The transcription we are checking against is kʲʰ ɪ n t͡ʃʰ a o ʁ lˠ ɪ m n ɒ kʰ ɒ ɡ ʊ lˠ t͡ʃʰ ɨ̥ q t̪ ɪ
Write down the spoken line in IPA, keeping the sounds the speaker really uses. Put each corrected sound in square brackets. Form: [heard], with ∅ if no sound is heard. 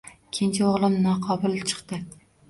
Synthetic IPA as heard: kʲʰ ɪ n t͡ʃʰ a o ʁ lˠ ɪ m n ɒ [qʰ] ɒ [b] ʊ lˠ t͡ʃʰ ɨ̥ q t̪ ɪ